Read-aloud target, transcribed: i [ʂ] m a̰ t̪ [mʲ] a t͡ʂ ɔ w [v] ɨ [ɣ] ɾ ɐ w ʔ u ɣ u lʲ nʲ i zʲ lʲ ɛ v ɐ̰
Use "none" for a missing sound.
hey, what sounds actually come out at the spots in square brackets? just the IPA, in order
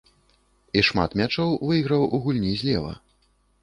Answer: ʂ, mʲ, v, ɣ

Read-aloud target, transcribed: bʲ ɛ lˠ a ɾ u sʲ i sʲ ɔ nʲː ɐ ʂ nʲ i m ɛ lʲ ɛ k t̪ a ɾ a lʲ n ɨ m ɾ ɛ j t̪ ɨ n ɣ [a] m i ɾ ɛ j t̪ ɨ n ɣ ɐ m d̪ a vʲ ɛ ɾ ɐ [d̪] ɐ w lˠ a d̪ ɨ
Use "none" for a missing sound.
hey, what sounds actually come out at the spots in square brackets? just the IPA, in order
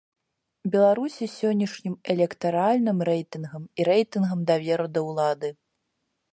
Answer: ɐ, d̪

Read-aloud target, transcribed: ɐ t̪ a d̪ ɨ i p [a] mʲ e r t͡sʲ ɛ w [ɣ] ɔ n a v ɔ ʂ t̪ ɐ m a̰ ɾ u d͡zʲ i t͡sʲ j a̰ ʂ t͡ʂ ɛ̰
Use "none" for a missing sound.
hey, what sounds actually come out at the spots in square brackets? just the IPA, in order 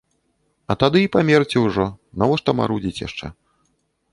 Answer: a, ʐ

